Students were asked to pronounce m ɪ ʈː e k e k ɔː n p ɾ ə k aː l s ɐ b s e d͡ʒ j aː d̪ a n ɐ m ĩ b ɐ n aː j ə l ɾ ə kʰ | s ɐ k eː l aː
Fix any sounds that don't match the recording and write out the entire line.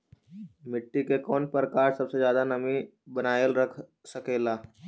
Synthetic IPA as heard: m ɪ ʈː i k e k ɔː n p ɾ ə k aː ɾ s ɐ b s e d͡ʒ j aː d̪ a n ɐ m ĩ b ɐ n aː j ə l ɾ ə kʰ | s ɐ k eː l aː